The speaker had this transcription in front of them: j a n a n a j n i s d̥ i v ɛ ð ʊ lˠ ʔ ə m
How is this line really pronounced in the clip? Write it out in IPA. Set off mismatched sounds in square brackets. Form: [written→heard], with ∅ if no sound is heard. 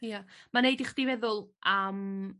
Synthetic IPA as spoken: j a [n→m] a n [a→e] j [n→d] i [s→χ] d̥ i v ɛ ð ʊ lˠ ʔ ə m